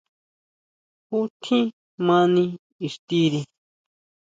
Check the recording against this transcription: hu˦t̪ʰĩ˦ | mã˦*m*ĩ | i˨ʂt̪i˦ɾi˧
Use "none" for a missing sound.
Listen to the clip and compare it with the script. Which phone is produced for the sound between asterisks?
n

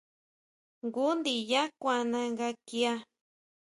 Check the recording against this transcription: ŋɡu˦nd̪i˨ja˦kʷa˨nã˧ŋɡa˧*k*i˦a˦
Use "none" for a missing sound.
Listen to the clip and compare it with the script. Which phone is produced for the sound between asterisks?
k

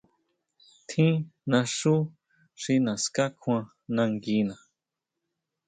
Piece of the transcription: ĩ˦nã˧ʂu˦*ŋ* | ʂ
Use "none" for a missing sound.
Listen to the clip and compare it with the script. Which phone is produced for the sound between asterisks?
none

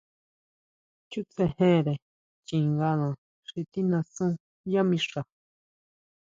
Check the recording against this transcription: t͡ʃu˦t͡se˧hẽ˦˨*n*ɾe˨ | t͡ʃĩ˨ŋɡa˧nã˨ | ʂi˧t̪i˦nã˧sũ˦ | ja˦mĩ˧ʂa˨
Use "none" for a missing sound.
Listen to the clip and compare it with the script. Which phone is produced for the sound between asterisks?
none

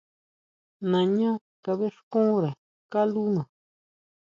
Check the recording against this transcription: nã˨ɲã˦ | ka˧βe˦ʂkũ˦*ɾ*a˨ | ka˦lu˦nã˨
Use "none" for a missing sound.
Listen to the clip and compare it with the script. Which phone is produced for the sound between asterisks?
ɾ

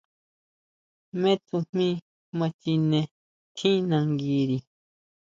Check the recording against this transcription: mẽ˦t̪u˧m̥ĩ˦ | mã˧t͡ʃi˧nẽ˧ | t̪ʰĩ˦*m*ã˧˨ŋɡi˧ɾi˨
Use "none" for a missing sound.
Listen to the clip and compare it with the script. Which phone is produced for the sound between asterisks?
n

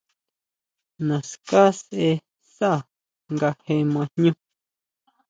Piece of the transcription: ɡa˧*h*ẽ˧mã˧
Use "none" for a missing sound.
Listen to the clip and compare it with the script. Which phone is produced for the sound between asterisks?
h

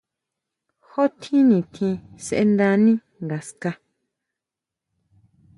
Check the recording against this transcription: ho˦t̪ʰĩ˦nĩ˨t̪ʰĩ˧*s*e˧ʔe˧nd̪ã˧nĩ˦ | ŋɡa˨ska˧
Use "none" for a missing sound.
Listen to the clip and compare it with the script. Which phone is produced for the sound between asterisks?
s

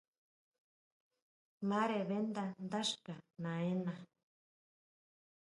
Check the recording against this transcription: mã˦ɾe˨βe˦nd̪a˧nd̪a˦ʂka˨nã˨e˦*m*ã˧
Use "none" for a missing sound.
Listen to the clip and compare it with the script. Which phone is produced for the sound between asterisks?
n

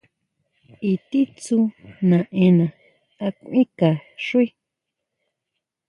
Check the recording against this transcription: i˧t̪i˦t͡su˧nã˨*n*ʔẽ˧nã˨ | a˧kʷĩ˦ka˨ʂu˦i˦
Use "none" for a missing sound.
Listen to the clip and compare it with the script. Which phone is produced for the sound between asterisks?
none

